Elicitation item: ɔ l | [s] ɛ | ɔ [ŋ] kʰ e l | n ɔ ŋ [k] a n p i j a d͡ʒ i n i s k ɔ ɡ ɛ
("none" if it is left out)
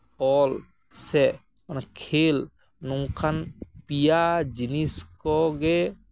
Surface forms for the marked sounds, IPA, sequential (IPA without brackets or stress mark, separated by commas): s, n, kʰ